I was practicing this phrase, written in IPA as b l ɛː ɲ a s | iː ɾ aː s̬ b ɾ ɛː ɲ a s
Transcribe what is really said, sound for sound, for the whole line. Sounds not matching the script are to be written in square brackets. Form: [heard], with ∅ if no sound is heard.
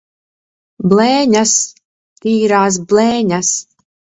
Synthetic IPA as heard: b l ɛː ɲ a s | iː ɾ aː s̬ b [l] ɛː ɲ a s